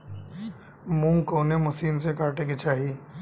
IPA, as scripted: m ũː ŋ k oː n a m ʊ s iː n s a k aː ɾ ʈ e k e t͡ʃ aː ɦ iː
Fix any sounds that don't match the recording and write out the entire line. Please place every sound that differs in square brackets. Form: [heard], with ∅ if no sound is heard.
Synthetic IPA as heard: m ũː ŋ k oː n [e] m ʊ s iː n s [e] k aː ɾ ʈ e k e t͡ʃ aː ɦ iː